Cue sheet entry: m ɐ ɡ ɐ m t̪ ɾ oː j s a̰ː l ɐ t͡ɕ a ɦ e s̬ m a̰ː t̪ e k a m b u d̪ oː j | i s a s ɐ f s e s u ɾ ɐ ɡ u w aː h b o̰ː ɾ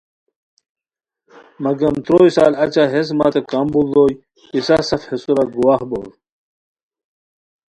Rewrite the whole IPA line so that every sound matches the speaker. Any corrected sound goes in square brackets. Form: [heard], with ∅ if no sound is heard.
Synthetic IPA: m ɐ ɡ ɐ m t̪ ɾ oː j s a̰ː l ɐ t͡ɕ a ɦ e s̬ m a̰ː t̪ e k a m b u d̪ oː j | i s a s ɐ f [h] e s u ɾ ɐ ɡ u w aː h b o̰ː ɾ